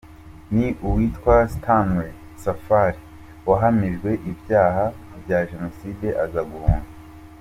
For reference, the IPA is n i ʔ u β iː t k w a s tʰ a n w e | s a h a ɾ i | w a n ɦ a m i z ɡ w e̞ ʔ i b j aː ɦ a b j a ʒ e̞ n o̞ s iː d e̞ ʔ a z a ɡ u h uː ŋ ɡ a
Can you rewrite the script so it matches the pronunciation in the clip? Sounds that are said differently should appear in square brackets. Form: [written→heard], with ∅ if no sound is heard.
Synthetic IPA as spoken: n i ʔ u [β→w] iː t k w a s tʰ a n w e | s a [h→f] a ɾ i | w a [n→∅] ɦ a m i [z→ʒ] ɡ w e̞ ʔ i b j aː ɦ a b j a ʒ e̞ n o̞ s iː d e̞ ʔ a z a ɡ u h uː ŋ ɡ a